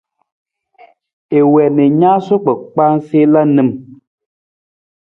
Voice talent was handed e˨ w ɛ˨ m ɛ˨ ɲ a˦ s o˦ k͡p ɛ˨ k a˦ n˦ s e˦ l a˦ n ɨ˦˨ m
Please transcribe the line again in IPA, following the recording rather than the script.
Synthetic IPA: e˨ w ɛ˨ n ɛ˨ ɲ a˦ s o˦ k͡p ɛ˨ k͡p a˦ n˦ s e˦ l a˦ n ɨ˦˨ m